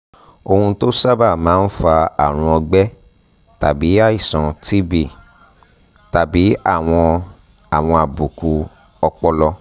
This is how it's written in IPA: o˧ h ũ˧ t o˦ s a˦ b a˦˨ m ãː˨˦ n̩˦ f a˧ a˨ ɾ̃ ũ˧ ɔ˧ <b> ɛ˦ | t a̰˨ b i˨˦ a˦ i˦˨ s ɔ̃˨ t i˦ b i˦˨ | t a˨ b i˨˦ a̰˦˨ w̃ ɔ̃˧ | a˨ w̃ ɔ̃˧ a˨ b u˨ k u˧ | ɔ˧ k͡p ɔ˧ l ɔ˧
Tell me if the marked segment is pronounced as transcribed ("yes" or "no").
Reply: no